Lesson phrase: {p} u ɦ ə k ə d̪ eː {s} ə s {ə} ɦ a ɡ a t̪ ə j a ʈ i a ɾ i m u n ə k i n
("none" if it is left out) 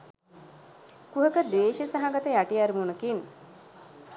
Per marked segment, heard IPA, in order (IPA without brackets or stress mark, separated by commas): k, ʃ, a